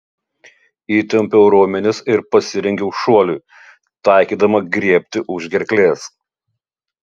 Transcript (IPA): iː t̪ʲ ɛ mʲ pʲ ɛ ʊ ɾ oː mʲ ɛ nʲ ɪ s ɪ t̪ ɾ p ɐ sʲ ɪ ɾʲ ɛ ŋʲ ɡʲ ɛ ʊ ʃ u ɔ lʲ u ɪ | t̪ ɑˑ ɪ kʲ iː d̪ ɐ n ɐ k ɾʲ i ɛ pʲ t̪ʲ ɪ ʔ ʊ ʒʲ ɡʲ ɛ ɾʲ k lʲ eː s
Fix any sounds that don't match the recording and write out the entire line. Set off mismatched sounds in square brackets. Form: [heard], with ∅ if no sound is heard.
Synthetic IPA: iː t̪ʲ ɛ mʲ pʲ ɛ ʊ ɾ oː mʲ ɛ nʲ ɪ s ɪ [∅] ɾ p ɐ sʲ ɪ ɾʲ ɛ ŋʲ ɡʲ ɛ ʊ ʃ u ɔ lʲ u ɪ | t̪ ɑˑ ɪ kʲ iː d̪ ɐ [m] ɐ [ɡ] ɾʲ i ɛ pʲ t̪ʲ ɪ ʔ ʊ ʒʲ ɡʲ ɛ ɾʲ k lʲ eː s

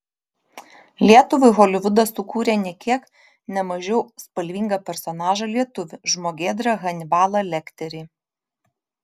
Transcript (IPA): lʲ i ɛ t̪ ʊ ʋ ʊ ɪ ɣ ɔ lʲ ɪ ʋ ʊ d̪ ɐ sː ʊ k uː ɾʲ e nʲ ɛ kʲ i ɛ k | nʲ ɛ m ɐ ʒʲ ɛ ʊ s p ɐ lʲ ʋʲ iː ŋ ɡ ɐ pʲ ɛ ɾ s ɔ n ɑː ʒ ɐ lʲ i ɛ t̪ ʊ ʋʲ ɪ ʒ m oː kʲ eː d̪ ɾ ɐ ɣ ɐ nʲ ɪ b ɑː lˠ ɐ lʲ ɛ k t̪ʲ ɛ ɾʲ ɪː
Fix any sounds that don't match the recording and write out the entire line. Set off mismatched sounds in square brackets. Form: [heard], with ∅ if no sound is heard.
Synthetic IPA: lʲ i ɛ t̪ ʊ ʋ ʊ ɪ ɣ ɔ lʲ ɪ ʋ ʊ d̪ ɐ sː ʊ k uː ɾʲ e nʲ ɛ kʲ i ɛ k | nʲ ɛ m ɐ ʒʲ ɛ ʊ s p ɐ lʲ ʋʲ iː ŋ ɡ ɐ pʲ ɛ ɾ s ɔ n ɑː ʒ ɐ lʲ i ɛ t̪ ʊ ʋʲ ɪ ʒ m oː [ɡʲ] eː d̪ ɾ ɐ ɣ ɐ nʲ ɪ b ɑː lˠ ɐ lʲ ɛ k t̪ʲ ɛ ɾʲ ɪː

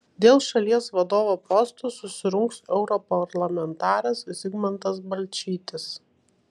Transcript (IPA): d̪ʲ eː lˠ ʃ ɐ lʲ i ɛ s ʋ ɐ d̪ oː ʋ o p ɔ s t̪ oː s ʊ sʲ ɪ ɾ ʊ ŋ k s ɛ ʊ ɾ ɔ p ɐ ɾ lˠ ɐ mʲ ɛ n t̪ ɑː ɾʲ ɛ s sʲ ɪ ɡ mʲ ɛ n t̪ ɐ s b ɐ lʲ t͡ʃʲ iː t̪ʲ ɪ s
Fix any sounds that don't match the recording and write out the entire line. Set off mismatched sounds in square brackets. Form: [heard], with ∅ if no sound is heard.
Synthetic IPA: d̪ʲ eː lˠ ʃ ɐ lʲ i ɛ s ʋ ɐ d̪ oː ʋ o p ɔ s t̪ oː s ʊ sʲ ɪ ɾ ʊ ŋ k s ɛ ʊ ɾ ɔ p ɐ ɾ lˠ ɐ mʲ ɛ n t̪ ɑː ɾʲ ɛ s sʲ ɪ ɡ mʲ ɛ n t̪ ɐ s b ɐ lʲ t͡ʃʲ iː t̪ʲ ɪ s

